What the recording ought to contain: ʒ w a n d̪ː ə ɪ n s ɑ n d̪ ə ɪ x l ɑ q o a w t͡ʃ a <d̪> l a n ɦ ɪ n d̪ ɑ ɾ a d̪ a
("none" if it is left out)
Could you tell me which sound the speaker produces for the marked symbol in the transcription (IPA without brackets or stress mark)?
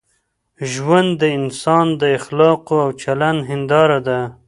none